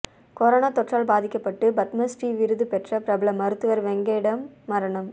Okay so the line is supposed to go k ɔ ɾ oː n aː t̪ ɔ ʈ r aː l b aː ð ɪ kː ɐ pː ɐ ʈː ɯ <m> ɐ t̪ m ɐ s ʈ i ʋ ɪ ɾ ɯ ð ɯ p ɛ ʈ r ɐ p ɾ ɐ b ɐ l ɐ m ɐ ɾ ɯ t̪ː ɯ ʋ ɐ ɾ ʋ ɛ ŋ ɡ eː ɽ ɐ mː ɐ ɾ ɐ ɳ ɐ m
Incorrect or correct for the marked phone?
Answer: incorrect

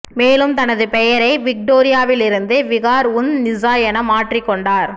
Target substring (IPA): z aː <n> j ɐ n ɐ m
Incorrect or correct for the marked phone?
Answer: incorrect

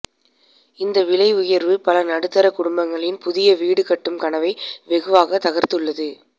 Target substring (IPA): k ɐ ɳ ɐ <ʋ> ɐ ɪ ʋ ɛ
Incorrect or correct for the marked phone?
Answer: correct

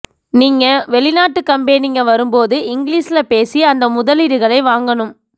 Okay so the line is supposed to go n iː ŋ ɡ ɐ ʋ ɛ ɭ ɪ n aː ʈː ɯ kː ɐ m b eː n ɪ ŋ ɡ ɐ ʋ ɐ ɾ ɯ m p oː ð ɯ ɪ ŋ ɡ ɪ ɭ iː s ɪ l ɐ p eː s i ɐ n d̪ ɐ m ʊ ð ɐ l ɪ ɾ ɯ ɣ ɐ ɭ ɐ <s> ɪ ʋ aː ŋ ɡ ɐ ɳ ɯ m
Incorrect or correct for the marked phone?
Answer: incorrect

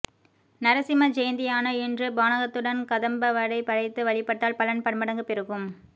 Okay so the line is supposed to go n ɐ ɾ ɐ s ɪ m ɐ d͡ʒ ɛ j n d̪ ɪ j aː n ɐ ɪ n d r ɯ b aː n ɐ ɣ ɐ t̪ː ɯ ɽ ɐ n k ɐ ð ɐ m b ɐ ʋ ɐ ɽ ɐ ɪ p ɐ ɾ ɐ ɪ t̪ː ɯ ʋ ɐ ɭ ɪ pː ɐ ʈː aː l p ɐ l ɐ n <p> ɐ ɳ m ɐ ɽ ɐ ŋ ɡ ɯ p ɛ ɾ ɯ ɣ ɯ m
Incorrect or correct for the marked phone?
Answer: correct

